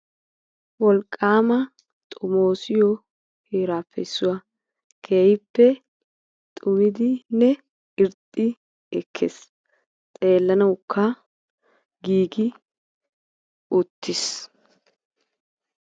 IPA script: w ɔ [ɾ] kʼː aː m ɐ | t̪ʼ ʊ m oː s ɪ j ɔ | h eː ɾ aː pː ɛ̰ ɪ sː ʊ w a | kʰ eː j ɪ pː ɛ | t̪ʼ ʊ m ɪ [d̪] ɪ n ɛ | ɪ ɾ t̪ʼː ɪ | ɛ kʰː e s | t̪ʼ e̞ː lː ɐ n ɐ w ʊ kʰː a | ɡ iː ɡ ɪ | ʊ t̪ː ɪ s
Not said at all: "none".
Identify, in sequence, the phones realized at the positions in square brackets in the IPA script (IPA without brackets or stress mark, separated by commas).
l, d̪